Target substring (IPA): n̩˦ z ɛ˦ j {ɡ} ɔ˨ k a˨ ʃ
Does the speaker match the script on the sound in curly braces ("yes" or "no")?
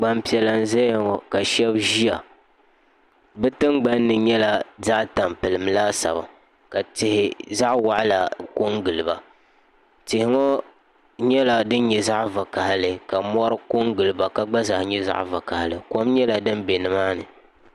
no